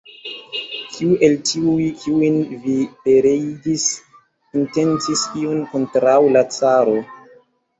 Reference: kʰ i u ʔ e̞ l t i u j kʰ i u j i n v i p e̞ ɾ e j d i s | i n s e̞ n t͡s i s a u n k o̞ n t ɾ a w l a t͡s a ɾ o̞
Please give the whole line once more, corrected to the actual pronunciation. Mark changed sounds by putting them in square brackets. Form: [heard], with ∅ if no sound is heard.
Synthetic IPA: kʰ i u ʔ e̞ l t i u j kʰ i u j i n v i p e̞ ɾ e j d i s | i n [t] e̞ n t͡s i s [i] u n k o̞ n t ɾ a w l a t͡s a ɾ o̞